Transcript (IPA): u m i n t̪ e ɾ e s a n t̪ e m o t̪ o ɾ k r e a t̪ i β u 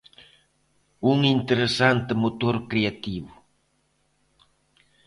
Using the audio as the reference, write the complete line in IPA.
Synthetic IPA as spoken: u ŋ i n t̪ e ɾ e s a n t̪ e m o t̪ o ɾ k ɾ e a t̪ i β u